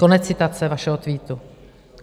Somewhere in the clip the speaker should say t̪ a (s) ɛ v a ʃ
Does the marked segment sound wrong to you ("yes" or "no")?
yes